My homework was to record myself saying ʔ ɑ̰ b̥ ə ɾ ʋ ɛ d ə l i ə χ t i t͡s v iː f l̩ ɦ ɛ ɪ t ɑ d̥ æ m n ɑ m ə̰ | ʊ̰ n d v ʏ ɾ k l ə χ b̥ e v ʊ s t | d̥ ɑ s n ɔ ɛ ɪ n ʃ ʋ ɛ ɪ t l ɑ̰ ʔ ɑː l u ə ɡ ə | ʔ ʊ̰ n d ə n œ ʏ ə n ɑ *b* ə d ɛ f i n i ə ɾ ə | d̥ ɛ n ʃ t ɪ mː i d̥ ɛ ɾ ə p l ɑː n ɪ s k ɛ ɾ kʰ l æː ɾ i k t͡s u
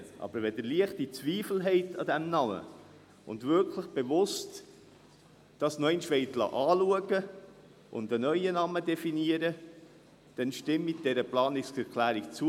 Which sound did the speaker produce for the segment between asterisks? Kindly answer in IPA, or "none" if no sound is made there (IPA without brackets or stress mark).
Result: m